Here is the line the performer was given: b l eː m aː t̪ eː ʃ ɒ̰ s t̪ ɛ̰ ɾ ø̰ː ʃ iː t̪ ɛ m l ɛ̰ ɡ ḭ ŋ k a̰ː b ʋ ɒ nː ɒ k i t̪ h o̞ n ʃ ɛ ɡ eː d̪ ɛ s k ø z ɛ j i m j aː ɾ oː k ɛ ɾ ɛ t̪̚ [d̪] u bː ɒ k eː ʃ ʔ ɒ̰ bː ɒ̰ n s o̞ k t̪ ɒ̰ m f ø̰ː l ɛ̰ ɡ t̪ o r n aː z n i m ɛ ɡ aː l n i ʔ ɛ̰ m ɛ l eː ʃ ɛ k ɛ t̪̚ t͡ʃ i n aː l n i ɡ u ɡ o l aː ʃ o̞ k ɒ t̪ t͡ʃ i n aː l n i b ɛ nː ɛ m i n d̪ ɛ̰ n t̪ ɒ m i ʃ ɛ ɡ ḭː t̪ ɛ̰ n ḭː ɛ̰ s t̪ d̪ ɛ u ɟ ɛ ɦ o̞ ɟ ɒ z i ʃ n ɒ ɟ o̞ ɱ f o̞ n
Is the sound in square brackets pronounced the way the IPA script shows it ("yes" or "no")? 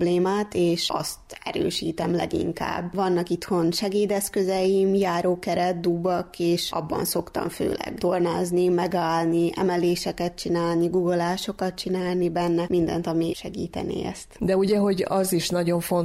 yes